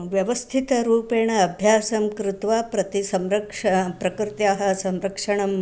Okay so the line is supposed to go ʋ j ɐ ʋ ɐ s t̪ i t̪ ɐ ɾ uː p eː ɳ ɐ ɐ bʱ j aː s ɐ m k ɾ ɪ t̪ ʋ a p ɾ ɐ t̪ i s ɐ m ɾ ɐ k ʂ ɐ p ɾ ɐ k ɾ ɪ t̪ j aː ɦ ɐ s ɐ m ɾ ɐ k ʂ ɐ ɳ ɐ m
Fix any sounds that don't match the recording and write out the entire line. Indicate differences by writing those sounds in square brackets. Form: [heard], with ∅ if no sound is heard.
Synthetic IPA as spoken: ʋ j ɐ ʋ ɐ s [t̪ʰ] i t̪ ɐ ɾ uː p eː ɳ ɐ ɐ bʱ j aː s ɐ m k ɾ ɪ t̪ ʋ a p ɾ ɐ t̪ i s ɐ m ɾ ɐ k ʂ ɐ p ɾ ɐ k ɾ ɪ t̪ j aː ɦ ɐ s ɐ m ɾ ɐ k ʂ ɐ ɳ ɐ m